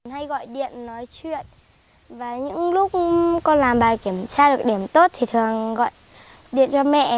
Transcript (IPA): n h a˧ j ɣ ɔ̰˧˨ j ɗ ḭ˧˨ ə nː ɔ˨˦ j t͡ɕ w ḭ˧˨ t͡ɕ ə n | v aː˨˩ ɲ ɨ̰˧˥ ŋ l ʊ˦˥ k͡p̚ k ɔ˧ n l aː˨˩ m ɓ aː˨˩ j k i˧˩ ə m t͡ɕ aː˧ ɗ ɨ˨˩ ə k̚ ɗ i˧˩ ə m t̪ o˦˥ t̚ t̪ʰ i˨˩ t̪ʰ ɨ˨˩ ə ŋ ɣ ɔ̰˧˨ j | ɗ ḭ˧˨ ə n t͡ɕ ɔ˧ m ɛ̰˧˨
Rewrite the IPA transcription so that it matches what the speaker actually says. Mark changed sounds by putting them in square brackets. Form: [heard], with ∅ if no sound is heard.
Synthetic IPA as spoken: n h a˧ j ɣ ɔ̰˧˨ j ɗ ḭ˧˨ ə nː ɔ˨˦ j t͡ɕ w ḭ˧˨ [∅] ə n | v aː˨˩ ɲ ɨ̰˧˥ ŋ l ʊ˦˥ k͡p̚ k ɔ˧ n l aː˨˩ m ɓ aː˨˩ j k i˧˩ ə m t͡ɕ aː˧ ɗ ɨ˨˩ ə k̚ ɗ i˧˩ ə m t̪ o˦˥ t̚ t̪ʰ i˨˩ t̪ʰ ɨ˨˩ ə ŋ ɣ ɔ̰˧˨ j | ɗ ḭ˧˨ ə n t͡ɕ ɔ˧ m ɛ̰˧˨